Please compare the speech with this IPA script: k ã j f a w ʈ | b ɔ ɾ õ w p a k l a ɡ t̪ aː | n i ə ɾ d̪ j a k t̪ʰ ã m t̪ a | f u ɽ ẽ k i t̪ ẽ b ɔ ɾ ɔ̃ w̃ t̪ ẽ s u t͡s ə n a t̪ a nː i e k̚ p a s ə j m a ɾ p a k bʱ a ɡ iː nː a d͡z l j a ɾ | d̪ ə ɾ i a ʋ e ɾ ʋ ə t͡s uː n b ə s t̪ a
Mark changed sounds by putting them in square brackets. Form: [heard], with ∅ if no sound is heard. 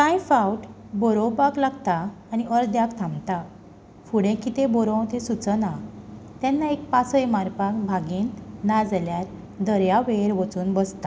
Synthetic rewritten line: k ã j f a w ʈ | b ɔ ɾ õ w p a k l a ɡ t̪ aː | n i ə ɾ d̪ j a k t̪ʰ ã m t̪ a | f u ɽ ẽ k i t̪ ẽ b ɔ ɾ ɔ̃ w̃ t̪ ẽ s u t͡s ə n a t̪ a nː [a] e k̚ p a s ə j m a ɾ p a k bʱ a ɡ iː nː a d͡z l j a ɾ | d̪ ə ɾ [j] a ʋ e ɾ ʋ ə t͡s uː n b ə s t̪ a